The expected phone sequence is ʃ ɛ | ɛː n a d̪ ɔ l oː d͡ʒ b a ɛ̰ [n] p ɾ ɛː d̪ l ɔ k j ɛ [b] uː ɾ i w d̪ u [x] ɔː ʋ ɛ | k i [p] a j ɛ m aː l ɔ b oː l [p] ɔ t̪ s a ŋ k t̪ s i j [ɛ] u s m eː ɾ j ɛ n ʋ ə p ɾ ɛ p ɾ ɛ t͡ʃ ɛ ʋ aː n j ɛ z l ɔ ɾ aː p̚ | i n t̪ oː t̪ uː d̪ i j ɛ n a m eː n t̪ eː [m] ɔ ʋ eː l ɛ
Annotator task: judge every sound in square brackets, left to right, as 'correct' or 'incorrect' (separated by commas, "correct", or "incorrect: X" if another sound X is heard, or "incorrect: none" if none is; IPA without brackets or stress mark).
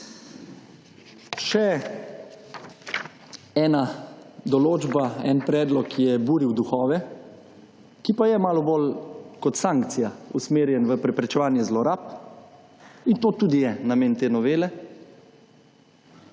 correct, correct, correct, correct, incorrect: k, incorrect: a, incorrect: n